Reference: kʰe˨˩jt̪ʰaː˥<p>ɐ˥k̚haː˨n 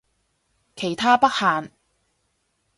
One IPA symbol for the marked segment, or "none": p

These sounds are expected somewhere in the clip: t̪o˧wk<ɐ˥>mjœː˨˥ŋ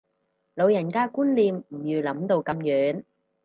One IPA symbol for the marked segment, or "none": ɐ˨˧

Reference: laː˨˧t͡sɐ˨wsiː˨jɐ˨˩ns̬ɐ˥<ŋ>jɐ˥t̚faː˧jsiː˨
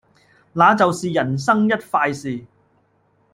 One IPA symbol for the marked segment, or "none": ŋ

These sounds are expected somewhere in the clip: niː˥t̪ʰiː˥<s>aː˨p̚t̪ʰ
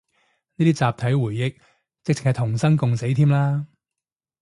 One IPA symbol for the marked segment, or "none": t͡s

